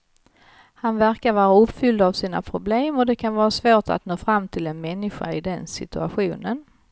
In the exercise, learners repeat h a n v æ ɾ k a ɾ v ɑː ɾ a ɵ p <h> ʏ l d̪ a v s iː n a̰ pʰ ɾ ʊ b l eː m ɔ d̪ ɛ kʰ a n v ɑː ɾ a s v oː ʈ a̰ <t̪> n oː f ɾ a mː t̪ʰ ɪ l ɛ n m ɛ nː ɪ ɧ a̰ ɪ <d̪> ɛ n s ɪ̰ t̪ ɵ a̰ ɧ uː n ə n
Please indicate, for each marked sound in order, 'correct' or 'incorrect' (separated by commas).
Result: incorrect, correct, correct